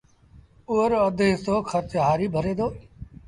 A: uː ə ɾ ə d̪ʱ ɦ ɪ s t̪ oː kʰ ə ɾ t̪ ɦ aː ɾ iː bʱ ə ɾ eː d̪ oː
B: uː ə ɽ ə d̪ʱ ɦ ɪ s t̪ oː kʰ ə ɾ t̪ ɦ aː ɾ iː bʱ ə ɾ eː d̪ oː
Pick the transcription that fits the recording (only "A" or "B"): A